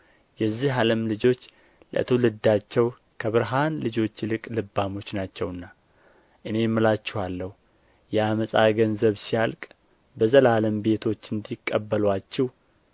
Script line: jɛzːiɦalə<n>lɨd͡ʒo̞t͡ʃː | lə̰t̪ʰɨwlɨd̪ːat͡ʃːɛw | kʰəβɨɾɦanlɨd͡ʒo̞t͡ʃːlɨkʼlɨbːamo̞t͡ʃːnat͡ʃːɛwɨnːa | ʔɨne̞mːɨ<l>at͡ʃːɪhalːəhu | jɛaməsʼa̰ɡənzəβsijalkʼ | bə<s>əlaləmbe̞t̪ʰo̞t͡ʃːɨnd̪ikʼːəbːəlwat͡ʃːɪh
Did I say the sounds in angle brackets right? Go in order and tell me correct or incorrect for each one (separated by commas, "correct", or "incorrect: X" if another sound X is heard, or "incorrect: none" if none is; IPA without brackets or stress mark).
incorrect: m, correct, incorrect: z